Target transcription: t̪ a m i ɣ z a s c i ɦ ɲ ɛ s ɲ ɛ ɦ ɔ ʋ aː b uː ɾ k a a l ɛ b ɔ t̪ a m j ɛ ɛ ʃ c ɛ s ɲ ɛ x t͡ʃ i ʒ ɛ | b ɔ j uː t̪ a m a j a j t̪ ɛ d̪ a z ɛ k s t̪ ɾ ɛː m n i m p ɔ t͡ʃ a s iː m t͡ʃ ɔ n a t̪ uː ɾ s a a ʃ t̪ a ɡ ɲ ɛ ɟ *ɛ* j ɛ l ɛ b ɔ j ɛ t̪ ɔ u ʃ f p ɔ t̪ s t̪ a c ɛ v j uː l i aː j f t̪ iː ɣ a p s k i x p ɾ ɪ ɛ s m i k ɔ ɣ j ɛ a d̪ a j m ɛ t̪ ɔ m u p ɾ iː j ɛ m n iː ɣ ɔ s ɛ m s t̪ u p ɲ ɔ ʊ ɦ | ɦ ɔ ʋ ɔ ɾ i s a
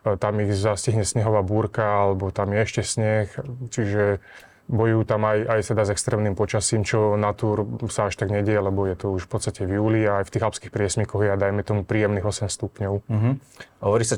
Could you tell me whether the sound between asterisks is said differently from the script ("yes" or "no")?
no